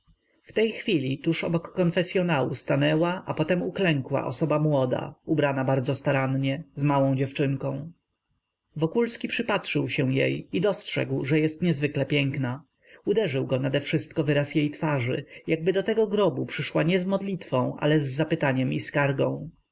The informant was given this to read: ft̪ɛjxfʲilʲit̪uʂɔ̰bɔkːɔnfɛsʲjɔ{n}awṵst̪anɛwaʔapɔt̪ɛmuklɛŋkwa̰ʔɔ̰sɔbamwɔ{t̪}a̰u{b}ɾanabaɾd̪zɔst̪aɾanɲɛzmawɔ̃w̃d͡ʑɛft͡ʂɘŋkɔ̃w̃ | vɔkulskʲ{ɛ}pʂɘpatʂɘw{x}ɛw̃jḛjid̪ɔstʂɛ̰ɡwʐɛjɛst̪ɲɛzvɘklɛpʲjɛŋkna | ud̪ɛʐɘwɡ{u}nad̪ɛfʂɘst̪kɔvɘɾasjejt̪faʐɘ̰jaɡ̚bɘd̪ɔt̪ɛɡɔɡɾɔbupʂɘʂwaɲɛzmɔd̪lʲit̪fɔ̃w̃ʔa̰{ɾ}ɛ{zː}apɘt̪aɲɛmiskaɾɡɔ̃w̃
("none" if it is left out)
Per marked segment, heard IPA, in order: n, d̪, b, i, ɕ, ɔ, l, zː

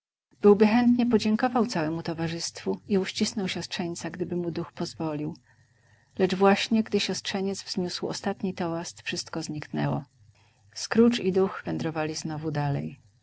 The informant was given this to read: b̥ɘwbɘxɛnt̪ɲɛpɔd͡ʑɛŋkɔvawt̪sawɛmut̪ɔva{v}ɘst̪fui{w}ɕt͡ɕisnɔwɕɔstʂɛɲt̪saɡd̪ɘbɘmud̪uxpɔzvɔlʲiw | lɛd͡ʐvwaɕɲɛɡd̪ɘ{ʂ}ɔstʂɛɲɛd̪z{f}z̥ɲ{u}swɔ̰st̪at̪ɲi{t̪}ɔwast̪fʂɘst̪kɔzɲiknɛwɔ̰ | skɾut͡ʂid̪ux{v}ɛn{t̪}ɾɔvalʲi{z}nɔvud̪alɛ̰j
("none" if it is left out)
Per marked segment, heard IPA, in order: ʐ, u, ɕ, v, u, t̪, v, d̪, z

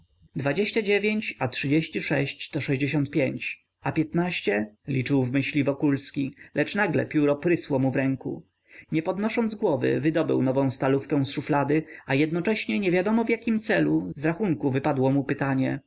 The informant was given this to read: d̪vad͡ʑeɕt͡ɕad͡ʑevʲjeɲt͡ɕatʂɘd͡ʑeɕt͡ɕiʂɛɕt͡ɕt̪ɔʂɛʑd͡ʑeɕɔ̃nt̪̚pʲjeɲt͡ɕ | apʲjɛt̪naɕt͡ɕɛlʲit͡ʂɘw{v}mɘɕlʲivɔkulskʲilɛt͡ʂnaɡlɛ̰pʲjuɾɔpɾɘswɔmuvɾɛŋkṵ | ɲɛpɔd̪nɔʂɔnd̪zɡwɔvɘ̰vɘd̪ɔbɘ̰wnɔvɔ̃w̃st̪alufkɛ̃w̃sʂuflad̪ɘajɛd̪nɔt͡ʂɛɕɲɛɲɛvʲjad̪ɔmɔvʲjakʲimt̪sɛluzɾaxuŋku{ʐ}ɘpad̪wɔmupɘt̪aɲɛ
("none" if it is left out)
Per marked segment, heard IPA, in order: v, v

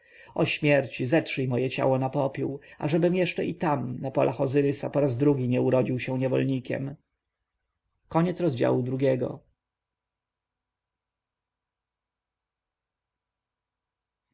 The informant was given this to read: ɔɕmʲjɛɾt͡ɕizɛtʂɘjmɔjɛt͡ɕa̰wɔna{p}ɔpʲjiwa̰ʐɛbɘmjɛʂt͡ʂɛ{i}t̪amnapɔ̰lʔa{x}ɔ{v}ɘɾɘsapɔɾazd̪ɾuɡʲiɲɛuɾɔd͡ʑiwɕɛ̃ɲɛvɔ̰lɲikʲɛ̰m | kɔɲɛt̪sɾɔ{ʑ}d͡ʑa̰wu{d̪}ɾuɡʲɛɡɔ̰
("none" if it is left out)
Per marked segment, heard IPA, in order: p, i, x, z, z, d̪

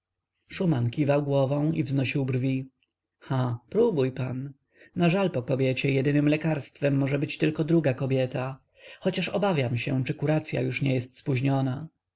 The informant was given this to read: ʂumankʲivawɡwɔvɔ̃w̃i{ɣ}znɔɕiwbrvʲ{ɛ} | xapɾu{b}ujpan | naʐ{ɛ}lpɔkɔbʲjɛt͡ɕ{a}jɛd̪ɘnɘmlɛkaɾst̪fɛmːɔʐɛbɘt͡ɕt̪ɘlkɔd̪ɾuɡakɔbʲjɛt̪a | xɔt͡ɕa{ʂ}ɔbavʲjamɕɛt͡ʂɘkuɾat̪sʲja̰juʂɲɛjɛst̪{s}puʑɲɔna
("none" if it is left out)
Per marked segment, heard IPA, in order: v, i, b, a, ɛ, ʂ, s

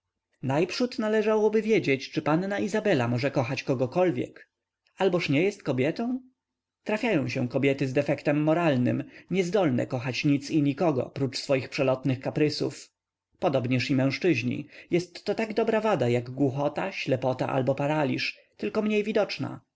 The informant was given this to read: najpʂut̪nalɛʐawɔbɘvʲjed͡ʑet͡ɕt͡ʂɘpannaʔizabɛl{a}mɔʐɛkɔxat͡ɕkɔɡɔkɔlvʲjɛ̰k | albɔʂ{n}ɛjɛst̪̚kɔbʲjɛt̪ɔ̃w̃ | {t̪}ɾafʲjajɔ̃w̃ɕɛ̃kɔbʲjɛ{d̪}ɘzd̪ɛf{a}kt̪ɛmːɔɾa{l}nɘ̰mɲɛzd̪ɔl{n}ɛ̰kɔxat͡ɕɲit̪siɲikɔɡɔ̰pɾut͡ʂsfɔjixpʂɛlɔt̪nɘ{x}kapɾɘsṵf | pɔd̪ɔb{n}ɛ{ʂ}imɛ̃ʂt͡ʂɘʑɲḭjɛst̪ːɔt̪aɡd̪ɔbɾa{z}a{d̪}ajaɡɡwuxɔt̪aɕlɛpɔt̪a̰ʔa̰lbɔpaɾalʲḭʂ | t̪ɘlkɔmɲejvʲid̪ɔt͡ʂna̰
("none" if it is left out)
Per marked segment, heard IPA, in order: a, ɲ, t̪, t̪, ɛ, l, n, x, ɲ, ʂ, v, d̪

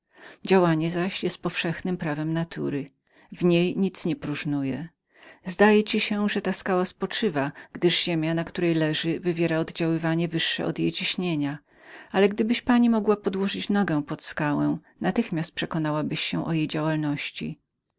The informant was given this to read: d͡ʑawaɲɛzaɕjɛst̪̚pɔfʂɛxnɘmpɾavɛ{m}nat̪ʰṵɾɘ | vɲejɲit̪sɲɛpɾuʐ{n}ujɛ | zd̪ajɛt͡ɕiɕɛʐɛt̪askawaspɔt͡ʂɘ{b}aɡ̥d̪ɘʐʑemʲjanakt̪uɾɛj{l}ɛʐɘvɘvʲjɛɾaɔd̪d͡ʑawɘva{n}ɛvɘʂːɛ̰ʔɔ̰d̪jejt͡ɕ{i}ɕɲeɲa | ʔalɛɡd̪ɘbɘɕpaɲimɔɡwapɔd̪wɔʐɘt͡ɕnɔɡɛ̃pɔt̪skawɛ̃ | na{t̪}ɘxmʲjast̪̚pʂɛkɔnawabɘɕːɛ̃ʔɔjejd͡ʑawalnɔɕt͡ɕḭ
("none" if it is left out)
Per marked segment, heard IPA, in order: m, n, v, l, ɲ, i, t̪

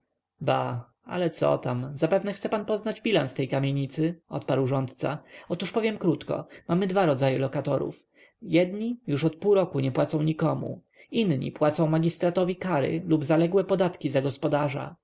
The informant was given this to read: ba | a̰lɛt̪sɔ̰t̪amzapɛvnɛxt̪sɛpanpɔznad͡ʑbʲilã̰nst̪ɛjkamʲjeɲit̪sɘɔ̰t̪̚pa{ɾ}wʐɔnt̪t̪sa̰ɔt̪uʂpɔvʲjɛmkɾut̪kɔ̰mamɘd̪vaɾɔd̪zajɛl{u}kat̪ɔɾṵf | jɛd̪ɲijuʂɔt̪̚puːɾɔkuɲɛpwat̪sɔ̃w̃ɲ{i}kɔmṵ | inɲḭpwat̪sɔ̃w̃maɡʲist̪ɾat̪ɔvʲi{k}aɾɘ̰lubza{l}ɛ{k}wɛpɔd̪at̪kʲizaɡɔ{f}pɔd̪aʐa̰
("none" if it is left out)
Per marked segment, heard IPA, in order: ɾ, ɔ, i, k, l, ɡ, s

